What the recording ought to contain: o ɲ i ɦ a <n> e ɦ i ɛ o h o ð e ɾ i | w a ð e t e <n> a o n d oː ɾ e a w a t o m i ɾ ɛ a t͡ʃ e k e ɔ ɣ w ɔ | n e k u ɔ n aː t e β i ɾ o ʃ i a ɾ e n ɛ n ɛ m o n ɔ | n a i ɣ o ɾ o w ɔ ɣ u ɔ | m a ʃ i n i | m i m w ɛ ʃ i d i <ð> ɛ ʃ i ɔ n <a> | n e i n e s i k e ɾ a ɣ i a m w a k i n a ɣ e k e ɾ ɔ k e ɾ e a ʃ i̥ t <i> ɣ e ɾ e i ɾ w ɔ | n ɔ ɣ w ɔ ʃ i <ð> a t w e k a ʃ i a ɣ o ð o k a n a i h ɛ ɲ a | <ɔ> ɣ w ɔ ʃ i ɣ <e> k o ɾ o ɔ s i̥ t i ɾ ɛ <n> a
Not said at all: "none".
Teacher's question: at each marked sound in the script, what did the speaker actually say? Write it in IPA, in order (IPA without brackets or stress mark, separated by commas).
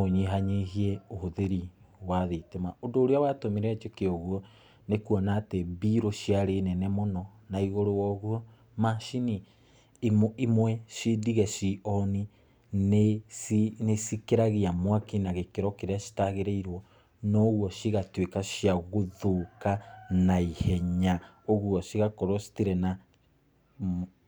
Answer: ɲ, m, ɣ, i, a, ɣ, o, a, n